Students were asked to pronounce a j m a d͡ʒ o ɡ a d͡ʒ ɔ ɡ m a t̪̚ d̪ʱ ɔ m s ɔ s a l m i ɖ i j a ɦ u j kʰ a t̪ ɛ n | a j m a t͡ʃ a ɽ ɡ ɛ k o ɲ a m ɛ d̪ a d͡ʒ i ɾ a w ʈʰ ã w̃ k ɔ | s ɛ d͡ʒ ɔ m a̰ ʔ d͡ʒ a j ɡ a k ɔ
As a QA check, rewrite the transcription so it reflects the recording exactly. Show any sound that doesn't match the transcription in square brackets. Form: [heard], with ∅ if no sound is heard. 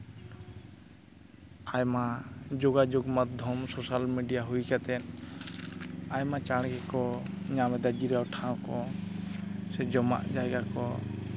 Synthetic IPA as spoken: a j m a d͡ʒ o ɡ a d͡ʒ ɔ ɡ m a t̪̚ d̪ʱ ɔ m s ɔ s a l m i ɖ i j a ɦ u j [k] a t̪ ɛ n | a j m a t͡ʃ a ɽ ɡ ɛ k [ɔ] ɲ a m ɛ d̪ a d͡ʒ i ɾ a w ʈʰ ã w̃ k ɔ | s ɛ d͡ʒ ɔ m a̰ ʔ d͡ʒ a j ɡ a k ɔ